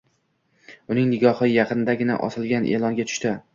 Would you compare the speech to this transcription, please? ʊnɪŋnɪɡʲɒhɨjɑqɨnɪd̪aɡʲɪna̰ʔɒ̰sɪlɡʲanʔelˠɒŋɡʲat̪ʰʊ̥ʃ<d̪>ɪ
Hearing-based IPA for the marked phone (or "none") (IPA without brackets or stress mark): t̪